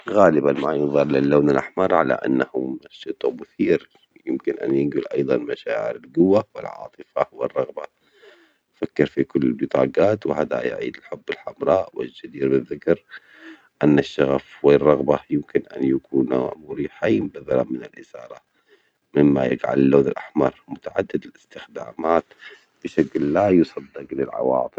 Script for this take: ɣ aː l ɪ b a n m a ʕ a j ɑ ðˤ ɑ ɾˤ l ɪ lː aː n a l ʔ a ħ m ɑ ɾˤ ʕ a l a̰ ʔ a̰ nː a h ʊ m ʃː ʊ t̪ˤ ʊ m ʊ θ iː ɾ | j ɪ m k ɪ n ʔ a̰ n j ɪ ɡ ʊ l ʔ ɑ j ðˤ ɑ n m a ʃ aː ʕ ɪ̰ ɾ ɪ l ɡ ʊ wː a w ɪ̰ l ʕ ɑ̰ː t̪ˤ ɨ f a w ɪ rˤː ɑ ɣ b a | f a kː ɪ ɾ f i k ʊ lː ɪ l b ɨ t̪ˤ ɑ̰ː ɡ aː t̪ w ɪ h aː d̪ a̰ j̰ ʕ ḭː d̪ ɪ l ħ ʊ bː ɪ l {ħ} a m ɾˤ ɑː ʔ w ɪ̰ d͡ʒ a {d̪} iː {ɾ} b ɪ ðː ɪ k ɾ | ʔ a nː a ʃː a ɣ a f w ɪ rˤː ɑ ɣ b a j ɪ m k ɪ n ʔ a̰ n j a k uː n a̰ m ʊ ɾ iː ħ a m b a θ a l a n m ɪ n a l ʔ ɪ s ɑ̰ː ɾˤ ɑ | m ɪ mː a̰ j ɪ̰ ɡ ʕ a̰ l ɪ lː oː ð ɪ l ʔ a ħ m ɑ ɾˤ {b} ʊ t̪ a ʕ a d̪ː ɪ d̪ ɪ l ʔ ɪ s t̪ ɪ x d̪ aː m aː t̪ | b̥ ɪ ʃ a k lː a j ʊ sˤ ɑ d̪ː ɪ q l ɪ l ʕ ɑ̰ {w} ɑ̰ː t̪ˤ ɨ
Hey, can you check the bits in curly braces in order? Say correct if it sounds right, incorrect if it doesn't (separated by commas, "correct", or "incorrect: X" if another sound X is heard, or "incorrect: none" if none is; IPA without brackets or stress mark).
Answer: correct, correct, correct, incorrect: m, correct